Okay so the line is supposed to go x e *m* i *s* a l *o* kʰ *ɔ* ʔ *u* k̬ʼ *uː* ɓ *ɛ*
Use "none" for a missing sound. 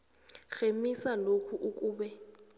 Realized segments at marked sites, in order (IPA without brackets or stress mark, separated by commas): m, s, o, u, u, uː, ɛ